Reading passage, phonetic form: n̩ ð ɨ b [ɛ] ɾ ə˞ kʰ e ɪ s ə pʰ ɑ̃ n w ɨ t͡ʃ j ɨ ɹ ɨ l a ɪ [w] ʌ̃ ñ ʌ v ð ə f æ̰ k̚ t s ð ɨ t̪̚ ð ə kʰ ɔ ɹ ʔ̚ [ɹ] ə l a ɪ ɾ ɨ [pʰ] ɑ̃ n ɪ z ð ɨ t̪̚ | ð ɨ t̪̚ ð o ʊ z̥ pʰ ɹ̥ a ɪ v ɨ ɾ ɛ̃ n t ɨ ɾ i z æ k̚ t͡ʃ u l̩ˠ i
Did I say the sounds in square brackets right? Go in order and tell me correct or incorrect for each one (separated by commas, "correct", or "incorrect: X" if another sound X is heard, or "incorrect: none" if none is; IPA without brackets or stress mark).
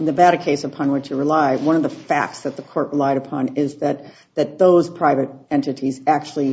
incorrect: æ, correct, correct, correct